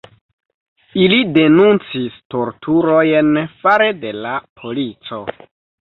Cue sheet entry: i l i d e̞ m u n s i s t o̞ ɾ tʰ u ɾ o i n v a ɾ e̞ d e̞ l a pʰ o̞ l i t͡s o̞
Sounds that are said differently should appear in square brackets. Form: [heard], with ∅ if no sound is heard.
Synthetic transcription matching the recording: i l i d e̞ [n] u n [t͡s] i s t o̞ ɾ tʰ u ɾ o [j] n [f] a ɾ e̞ d e̞ l a pʰ o̞ l i t͡s o̞